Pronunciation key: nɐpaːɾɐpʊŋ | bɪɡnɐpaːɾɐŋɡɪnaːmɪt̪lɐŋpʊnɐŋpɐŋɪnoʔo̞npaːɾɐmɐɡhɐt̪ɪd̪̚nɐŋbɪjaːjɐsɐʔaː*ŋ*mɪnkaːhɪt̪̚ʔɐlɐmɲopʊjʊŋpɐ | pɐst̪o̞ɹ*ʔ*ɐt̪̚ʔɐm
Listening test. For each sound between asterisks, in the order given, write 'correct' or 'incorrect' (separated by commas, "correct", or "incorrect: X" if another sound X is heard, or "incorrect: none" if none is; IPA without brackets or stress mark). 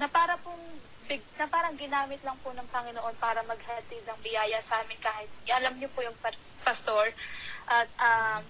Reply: incorrect: none, correct